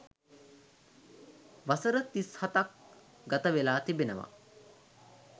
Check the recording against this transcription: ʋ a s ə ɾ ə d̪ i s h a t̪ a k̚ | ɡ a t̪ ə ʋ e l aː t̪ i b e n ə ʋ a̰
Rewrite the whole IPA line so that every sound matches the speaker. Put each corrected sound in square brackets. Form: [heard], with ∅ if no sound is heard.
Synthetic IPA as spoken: ʋ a s ə ɾ ə [t̪] i s h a t̪ a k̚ | ɡ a t̪ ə ʋ e l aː t̪ i b e n ə ʋ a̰